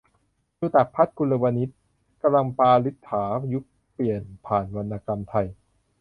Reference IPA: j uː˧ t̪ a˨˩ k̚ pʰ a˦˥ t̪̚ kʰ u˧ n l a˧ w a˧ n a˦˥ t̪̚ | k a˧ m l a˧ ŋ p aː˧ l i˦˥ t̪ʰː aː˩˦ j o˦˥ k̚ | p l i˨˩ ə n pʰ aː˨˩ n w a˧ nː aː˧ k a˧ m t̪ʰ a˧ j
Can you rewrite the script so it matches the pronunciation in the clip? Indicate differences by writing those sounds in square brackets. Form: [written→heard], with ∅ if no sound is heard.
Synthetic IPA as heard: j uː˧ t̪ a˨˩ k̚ pʰ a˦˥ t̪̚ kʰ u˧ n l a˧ w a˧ n [a˦˥→i˦˥] t̪̚ | k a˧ m l a˧ ŋ p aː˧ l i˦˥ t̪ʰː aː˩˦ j [o˦˥→u˦˥] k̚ | p l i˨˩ ə n pʰ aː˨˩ n w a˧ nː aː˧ k a˧ m t̪ʰ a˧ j